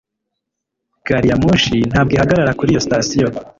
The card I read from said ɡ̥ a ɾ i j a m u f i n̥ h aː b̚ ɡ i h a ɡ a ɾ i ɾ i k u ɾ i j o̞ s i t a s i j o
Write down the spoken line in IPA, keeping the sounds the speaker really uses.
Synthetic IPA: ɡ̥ a ɾ i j a m u ʃ i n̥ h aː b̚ ɡ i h a ɡ a ɾ a ɾ a k u ɾ i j o̞ s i t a s i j o